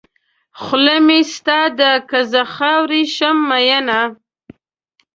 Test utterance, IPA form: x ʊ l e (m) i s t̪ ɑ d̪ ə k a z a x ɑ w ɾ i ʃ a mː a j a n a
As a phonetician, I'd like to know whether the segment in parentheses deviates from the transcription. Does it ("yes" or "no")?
no